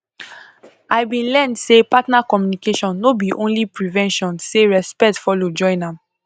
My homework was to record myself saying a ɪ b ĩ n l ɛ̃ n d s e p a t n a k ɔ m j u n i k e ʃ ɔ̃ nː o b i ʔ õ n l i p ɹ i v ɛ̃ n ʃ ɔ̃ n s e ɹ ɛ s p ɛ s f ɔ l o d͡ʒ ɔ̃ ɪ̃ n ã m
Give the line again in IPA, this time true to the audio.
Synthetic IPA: a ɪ b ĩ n l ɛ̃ n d s e p a t n a k ɔ m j u n i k e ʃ ɔ̃ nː o b i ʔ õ n l i p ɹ i v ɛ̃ n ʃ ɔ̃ n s e ɹ ɛ s p ɛ t f ɔ l o d͡ʒ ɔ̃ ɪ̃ n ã m